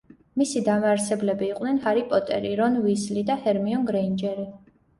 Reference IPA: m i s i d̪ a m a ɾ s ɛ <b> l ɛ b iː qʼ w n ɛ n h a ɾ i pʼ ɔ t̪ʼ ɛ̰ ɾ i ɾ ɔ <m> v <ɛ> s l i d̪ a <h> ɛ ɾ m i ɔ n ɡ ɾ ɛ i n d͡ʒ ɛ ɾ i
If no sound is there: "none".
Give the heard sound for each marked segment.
b, n, i, h

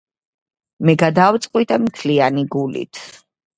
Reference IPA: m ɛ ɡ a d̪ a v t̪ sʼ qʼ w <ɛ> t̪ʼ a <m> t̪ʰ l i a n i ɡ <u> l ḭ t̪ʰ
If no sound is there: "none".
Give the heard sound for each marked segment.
i, m, u

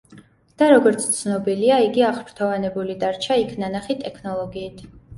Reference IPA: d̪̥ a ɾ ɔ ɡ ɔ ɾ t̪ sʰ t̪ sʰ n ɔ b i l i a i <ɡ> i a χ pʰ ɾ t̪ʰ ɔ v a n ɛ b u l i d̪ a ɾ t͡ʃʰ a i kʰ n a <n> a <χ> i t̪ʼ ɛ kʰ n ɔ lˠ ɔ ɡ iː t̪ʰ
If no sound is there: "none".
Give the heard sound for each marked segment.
ɡ, n, χ

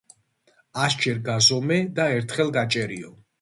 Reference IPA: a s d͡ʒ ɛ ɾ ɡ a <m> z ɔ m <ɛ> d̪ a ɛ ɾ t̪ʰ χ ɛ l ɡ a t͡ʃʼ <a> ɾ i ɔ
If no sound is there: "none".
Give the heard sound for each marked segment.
none, ɛ, ɛ

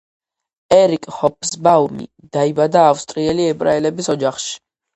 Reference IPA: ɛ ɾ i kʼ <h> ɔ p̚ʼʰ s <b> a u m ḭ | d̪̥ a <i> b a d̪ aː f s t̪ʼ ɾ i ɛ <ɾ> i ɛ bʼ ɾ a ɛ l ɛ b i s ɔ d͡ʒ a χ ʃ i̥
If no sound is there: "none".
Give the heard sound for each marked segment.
h, b, i, l

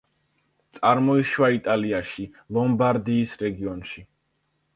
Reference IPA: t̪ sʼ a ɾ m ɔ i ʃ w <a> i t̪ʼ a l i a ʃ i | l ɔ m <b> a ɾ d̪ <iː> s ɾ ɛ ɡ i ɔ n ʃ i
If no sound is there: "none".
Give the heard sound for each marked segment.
a, b, iː

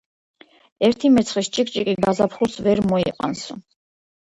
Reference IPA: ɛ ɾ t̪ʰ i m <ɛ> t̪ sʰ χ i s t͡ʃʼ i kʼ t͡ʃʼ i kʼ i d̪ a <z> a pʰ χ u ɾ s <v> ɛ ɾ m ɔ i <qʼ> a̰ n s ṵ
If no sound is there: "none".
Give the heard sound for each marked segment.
ɛ, z, v, qʼ

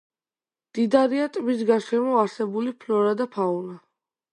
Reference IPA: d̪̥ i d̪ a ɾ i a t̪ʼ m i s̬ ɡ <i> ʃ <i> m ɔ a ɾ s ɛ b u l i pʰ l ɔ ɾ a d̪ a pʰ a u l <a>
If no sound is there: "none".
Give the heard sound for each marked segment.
a, ɛ, a

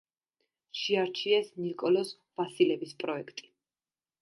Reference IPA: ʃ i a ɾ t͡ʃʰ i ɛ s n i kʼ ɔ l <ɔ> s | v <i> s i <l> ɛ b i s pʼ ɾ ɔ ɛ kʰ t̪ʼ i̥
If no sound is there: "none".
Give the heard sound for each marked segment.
ɔ, a, l

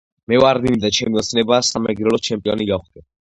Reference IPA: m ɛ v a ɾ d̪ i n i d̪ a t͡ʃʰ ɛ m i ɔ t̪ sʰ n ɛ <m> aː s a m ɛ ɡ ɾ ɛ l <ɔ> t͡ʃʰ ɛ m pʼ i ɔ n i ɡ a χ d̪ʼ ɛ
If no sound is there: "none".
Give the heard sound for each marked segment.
b, ɔ

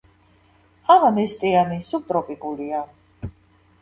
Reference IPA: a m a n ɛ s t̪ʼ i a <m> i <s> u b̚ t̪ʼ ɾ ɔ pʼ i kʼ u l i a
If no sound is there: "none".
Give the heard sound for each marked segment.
n, s

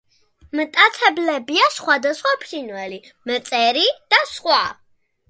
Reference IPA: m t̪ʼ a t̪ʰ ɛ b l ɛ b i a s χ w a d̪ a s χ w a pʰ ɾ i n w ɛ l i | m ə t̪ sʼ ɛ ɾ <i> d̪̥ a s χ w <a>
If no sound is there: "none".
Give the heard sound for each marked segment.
i, a

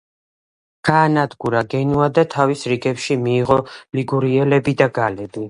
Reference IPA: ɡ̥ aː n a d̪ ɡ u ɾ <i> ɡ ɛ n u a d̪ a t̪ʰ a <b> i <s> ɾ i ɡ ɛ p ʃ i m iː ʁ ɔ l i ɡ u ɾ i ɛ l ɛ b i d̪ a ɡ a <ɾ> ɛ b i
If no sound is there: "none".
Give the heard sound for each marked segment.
a, v, s, l

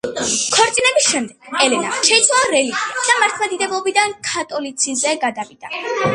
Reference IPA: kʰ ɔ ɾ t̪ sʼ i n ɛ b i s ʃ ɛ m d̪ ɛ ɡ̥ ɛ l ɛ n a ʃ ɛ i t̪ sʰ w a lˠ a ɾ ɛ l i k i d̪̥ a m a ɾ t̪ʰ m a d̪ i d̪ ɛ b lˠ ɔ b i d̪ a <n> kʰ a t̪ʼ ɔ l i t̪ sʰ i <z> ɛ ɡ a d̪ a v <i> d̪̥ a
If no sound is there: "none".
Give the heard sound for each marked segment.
n, z, i

